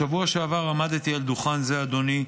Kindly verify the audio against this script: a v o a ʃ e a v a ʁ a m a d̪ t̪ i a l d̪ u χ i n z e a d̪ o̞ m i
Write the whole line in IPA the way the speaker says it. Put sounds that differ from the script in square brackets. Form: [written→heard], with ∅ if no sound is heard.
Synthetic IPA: a v [o→u] a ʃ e a v a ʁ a m a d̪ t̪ i a l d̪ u χ [i→a] n z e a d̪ o̞ [m→n] i